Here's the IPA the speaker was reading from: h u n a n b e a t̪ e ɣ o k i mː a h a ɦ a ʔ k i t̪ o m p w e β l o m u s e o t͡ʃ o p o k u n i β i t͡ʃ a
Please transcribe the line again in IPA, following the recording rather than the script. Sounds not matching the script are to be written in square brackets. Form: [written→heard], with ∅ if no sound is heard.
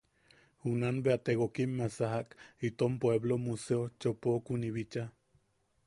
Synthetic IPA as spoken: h u n a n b e a t̪ e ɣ o k i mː a [h→s] a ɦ a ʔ k i t̪ o m p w e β l o m u s e o t͡ʃ o p o k u n i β i t͡ʃ a